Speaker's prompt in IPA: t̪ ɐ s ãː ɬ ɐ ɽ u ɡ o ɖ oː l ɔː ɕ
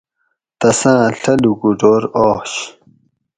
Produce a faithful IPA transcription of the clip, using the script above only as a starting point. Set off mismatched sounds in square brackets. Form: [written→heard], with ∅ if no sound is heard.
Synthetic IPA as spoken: t̪ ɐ s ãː ɬ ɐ [ɽ→l] u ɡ [o→u] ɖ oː [l→ɾ] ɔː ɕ